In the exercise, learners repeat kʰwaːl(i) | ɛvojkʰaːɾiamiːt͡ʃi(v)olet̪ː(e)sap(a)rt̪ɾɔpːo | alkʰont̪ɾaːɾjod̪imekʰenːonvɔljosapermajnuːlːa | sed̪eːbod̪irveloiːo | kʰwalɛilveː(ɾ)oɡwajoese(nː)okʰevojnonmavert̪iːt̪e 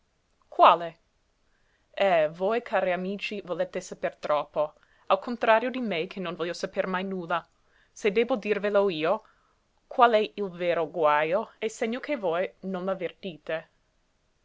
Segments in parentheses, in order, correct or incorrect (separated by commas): incorrect, correct, correct, incorrect, correct, incorrect